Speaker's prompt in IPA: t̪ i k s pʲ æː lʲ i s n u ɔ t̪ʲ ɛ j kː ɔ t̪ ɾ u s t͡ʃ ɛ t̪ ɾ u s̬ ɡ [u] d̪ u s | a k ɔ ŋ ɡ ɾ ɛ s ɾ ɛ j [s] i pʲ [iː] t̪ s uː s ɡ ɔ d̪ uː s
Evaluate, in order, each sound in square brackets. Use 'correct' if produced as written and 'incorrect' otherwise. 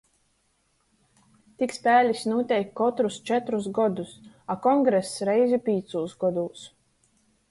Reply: incorrect, incorrect, correct

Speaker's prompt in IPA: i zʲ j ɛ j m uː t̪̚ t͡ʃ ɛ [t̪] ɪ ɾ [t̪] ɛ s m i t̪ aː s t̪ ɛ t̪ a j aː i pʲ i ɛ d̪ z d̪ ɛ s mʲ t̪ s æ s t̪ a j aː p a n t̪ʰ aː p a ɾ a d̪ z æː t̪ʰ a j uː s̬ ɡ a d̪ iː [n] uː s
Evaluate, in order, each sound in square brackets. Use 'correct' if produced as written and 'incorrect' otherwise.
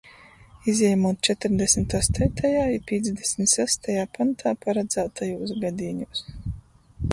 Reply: correct, incorrect, incorrect

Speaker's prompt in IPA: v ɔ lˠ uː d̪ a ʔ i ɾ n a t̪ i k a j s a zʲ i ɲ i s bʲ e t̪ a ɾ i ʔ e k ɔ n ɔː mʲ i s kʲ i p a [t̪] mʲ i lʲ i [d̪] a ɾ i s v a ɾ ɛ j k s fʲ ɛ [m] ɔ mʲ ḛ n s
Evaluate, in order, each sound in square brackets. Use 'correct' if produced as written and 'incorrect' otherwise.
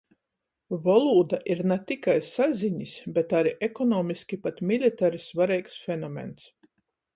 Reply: correct, incorrect, incorrect

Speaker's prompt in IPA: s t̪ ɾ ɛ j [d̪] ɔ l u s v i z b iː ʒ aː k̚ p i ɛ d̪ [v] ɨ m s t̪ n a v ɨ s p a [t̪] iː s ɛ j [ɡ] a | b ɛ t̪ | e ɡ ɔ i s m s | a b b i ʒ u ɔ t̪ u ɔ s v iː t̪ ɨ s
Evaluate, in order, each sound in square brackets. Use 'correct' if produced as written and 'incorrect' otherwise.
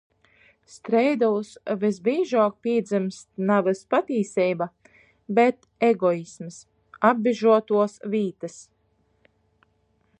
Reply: correct, incorrect, correct, incorrect

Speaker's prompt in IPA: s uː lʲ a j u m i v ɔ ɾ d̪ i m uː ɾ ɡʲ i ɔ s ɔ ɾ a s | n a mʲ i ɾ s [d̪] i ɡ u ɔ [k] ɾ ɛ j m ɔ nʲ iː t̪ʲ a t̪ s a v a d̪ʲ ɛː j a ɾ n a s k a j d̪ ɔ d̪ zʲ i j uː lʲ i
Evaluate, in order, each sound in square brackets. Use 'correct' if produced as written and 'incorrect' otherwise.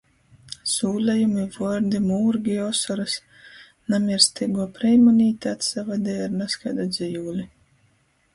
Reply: incorrect, incorrect

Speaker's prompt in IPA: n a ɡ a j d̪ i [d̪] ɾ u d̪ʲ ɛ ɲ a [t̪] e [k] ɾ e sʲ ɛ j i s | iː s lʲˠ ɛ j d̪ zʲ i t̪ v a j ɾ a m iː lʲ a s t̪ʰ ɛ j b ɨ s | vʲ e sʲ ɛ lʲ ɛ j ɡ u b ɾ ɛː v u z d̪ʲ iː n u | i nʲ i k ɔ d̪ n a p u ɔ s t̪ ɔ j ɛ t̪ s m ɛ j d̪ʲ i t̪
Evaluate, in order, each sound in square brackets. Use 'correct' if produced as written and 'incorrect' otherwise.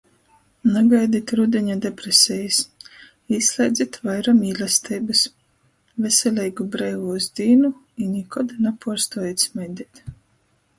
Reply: incorrect, incorrect, incorrect

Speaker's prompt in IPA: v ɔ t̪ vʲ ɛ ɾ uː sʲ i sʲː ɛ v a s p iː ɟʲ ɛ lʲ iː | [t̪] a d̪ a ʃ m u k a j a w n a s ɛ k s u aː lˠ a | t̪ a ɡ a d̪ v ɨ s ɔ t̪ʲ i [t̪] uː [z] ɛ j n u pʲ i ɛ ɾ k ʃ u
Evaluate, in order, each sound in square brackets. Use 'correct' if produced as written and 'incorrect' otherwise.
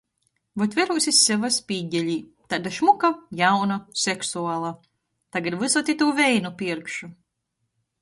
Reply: correct, correct, incorrect

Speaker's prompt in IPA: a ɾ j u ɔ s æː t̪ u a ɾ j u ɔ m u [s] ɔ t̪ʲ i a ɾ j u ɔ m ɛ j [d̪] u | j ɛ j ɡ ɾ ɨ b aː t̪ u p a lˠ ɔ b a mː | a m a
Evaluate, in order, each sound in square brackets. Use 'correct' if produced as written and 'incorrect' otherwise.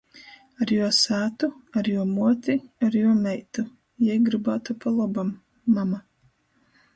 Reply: incorrect, incorrect

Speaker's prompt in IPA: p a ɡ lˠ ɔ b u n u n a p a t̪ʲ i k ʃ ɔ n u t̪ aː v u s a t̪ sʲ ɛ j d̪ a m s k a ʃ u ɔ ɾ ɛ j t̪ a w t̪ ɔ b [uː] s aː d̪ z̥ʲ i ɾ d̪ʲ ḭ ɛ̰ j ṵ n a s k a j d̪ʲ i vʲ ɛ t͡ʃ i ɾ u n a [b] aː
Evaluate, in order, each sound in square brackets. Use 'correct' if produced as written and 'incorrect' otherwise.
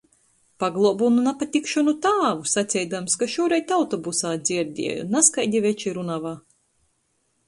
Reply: incorrect, incorrect

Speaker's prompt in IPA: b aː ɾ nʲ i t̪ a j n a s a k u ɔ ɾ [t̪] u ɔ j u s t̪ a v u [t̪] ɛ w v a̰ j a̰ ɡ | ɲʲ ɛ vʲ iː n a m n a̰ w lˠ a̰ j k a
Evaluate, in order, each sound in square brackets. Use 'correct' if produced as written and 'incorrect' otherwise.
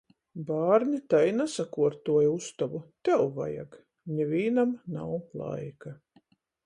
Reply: correct, correct

